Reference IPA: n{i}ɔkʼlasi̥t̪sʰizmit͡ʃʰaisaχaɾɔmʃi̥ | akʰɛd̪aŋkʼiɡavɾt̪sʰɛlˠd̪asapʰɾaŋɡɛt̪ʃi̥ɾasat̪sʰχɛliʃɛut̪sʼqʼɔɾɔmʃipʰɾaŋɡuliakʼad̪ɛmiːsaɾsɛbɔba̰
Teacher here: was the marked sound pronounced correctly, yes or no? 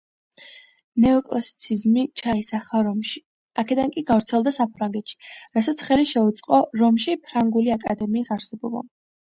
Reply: no